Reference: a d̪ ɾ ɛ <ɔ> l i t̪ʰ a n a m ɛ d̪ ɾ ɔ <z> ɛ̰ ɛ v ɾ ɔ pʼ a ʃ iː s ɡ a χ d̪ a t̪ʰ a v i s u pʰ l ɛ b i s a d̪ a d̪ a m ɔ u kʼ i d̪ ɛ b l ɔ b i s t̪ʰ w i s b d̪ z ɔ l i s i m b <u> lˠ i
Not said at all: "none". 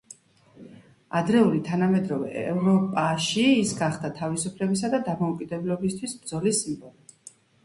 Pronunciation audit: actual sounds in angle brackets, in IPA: u, v, ɔ

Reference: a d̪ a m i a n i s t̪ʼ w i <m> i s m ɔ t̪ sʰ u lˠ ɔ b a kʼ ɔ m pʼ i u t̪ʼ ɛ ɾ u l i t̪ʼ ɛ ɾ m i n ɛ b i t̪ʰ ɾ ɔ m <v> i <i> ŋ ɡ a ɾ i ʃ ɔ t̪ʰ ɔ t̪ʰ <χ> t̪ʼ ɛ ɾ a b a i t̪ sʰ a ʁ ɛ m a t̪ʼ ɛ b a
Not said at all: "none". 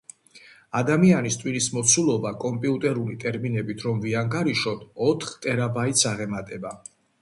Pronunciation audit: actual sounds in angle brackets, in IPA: n, v, a, χ

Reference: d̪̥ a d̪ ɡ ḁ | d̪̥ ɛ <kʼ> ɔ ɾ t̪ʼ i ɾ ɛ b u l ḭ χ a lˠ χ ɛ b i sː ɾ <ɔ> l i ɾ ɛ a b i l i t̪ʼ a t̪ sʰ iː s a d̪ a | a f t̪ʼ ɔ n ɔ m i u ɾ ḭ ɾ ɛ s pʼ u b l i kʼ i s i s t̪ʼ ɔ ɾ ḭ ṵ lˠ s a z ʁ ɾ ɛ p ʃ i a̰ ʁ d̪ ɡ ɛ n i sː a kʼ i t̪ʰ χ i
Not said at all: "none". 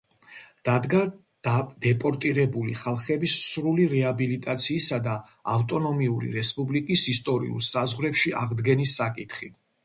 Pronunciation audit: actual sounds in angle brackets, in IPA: pʼ, u

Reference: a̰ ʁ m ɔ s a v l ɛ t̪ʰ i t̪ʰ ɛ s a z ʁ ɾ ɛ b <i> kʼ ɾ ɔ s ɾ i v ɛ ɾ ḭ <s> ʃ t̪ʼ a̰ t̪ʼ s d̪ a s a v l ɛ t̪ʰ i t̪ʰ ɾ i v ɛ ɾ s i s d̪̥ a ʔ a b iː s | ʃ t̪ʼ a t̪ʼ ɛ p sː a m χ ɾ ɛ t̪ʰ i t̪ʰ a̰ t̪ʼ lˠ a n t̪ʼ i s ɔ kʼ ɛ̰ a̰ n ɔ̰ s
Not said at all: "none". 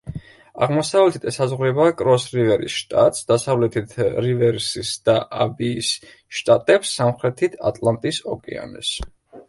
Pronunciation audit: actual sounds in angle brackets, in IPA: a, s

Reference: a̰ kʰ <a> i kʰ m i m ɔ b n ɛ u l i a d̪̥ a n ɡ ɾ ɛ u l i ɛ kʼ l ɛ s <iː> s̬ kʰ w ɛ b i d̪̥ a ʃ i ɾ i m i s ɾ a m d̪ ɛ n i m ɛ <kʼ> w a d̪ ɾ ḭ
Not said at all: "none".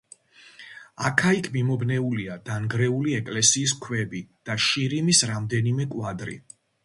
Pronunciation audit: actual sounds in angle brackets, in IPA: a, iː, kʼ

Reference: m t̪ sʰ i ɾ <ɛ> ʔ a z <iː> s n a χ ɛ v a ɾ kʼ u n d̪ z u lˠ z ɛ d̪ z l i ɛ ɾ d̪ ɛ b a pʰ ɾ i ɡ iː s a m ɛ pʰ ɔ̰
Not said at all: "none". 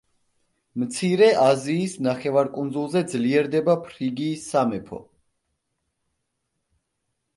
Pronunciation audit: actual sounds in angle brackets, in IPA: ɛ, iː

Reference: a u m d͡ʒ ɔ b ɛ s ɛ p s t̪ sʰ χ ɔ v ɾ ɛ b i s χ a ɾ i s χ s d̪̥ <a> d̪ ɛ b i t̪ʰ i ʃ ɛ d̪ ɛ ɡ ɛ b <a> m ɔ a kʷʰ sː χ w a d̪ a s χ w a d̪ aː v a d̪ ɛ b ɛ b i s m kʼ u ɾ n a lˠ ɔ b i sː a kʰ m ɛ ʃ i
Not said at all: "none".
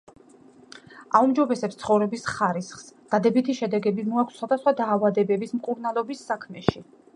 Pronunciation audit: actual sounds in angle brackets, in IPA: a, i

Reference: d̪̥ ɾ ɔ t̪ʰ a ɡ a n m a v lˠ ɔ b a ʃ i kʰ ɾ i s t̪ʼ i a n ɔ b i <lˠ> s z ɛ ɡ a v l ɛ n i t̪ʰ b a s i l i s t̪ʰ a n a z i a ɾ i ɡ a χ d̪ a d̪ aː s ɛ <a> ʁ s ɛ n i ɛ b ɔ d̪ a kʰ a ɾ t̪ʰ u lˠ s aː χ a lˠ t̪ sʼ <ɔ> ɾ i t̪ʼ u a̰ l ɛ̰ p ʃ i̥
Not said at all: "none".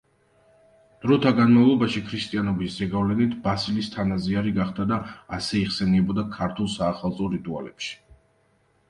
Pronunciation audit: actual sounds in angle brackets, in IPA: none, i, ɔ

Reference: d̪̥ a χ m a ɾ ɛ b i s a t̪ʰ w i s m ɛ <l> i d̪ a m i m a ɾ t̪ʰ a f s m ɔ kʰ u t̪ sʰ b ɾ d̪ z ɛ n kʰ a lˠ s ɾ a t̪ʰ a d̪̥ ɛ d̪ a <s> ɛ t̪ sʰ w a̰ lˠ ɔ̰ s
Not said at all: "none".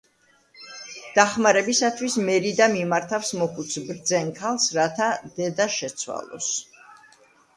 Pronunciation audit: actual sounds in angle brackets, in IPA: ɾ, ʃ

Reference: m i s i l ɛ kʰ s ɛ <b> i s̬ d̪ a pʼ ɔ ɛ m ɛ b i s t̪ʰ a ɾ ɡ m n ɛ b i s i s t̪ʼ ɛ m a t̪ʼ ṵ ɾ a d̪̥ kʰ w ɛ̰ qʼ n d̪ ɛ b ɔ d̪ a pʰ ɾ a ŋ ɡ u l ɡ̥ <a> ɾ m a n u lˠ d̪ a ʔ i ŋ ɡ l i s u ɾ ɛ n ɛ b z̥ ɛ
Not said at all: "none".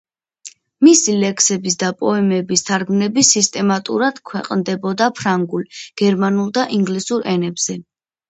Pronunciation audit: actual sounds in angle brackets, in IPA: b, ɛ

